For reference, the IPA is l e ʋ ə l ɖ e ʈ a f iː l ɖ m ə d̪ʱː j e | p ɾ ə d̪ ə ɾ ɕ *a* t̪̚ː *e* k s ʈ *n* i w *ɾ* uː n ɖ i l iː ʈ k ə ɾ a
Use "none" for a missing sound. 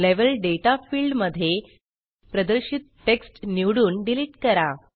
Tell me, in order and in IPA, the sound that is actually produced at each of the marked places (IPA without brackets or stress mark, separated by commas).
i, e, n, ɽ